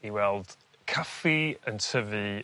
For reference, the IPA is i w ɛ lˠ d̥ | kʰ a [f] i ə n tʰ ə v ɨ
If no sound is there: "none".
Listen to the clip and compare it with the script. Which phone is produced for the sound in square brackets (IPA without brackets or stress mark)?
f